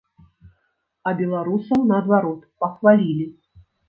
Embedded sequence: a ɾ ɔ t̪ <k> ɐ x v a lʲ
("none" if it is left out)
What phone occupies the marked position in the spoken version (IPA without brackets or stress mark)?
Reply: p